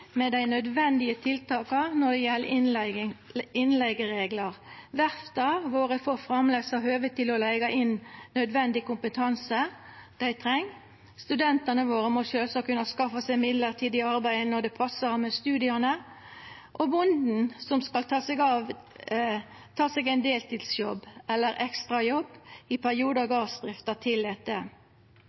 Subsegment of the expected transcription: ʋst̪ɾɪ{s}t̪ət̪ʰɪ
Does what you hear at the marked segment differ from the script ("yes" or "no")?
yes